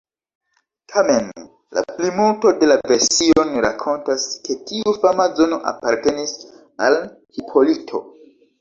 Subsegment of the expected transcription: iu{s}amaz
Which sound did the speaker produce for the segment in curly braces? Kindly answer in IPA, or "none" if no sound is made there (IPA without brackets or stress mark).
f